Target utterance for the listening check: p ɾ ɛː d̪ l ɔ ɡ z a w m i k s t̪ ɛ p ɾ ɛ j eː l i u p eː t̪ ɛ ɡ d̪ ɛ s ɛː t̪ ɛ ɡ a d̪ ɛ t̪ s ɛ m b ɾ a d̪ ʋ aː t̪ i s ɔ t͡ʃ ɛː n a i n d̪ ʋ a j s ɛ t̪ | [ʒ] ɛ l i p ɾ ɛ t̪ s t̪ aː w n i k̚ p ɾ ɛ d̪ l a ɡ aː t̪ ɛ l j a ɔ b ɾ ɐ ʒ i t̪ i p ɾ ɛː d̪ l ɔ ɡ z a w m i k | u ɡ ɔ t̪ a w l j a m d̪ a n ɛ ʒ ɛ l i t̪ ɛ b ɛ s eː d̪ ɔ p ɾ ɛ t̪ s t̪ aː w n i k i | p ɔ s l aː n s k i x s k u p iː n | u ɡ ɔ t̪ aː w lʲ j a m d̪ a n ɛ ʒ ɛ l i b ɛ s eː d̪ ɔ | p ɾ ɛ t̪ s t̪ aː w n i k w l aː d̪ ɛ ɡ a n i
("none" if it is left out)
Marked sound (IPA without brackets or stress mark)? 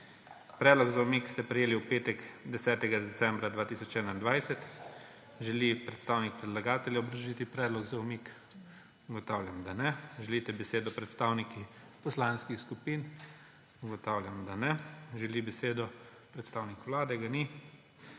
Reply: ʒ